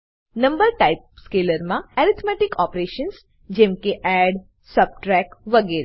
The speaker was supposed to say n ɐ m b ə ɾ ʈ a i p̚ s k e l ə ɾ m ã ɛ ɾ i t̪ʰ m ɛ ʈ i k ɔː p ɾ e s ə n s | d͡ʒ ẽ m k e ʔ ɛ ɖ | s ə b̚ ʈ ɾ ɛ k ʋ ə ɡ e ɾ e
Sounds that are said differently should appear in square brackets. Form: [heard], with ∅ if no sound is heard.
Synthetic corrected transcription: n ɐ m b ə ɾ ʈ a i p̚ s k e l ə ɾ m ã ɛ ɾ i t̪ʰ m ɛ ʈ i k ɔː p ɾ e [ʃ] ə n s | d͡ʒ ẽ m k e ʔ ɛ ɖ | s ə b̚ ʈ ɾ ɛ k ʋ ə ɡ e ɾ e

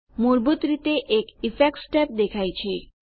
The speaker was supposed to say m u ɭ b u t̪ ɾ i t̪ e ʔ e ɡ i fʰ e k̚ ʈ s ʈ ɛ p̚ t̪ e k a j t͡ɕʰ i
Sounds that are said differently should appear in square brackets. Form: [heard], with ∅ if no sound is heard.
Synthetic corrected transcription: m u [ɾ] b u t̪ ɾ i t̪ e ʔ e [k] i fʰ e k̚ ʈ s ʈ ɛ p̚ [d̪] e [kʰ] a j t͡ɕʰ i

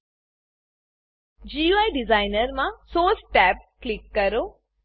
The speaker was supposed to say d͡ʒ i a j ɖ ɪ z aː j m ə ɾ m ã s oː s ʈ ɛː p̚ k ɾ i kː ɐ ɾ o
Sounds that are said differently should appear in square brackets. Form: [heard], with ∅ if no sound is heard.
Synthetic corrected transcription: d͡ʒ i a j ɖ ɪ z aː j [n] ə ɾ m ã s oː s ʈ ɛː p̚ k [l] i kː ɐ ɾ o

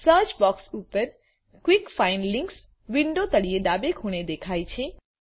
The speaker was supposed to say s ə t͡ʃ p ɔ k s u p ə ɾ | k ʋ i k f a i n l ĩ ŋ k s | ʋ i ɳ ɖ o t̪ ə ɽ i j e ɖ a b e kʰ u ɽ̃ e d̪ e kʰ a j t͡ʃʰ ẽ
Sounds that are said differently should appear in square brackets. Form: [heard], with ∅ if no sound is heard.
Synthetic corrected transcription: s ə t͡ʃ [b] ɔ k s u p ə ɾ | k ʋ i k f a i n l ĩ ŋ k s | ʋ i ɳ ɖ o t̪ ə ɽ i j e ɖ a b e kʰ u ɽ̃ e d̪ e kʰ a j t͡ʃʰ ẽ

